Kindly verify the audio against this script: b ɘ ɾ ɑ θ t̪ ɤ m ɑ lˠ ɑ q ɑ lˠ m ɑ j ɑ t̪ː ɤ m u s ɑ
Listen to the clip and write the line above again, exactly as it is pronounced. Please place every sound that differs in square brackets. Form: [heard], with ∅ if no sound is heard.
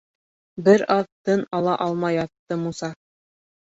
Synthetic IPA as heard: b ɘ ɾ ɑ [ð] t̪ ɤ [n] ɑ lˠ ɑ [ʔ] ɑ lˠ m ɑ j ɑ t̪ː ɤ m u s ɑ

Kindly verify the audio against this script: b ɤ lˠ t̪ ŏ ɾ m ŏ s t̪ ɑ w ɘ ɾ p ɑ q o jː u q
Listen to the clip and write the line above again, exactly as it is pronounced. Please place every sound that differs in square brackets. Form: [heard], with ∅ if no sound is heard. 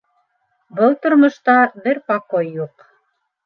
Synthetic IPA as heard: b ɤ lˠ t̪ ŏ ɾ m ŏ [ʃ] t̪ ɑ [b] ɘ ɾ p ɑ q o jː u q

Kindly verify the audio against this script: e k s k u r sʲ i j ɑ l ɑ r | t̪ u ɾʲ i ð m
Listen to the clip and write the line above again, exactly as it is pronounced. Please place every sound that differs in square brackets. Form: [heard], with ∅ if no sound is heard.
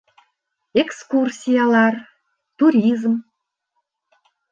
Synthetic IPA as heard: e k s k u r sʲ i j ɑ l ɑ r | t̪ u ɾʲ i [z] m

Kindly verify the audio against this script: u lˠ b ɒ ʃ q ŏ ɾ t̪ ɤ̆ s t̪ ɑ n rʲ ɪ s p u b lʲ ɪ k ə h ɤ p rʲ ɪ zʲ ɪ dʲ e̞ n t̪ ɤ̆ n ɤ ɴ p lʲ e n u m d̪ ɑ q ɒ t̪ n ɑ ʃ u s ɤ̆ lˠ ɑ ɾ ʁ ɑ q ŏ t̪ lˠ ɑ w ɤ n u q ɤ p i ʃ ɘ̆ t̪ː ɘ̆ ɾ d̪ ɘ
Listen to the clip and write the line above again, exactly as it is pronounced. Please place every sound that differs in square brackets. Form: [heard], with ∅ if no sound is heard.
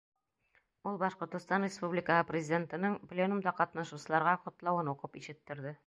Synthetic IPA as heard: u lˠ b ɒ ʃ q ŏ ɾ t̪ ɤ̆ s t̪ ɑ n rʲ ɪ s p u b lʲ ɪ k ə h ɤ p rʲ ɪ zʲ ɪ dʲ e̞ n t̪ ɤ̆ n ɤ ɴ p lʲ e n u m d̪ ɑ q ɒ t̪ n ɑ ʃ u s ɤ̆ lˠ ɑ ɾ ʁ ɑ q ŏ t̪ lˠ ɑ w ɤ n u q ɤ p i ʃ ɘ̆ t̪ː ɘ̆ ɾ d̪ ɘ

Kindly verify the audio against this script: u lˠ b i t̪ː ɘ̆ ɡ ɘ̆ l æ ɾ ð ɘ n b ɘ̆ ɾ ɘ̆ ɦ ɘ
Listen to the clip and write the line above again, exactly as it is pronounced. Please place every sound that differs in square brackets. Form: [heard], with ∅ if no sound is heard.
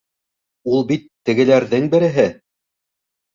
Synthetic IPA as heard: u lˠ b i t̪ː ɘ̆ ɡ ɘ̆ l æ ɾ ð ɘ [ŋ] b ɘ̆ ɾ ɘ̆ ɦ ɘ

